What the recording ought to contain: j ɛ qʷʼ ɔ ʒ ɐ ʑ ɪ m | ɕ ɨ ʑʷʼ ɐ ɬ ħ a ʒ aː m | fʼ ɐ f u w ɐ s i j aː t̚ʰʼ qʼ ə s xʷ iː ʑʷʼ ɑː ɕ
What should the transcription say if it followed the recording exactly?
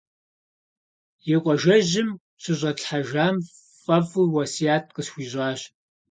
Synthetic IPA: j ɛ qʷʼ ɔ ʒ ɐ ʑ ɪ m | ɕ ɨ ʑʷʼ ɐ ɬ ħ a ʒ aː m | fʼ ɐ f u w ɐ s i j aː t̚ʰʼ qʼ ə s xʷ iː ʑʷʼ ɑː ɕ